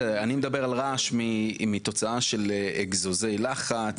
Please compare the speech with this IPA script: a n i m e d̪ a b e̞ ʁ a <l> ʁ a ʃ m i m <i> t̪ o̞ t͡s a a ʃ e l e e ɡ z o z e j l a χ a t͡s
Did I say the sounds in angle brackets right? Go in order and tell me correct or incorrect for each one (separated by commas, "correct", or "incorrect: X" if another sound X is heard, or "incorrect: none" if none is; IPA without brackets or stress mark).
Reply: correct, correct